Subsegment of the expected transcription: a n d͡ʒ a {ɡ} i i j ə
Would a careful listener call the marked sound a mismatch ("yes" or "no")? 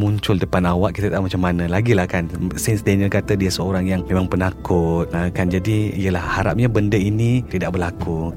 yes